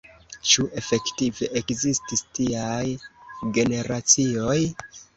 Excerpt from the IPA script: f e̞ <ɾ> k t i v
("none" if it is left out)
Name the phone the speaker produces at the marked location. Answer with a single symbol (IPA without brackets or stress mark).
none